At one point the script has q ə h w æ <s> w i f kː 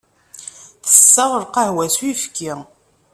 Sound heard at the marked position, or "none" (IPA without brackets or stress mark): s